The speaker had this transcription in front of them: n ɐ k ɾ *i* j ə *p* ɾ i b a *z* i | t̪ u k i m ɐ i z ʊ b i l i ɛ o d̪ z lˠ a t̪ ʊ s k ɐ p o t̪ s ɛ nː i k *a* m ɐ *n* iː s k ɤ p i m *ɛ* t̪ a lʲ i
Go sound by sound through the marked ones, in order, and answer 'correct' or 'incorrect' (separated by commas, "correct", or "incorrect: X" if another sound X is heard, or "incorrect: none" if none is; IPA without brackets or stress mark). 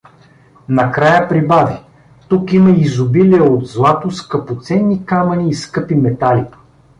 incorrect: a, correct, incorrect: v, correct, correct, correct